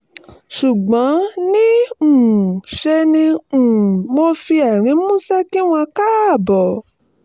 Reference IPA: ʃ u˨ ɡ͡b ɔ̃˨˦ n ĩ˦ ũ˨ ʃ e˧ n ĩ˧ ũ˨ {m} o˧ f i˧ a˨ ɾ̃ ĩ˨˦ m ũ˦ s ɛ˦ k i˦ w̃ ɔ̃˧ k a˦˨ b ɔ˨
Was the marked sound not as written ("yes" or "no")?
no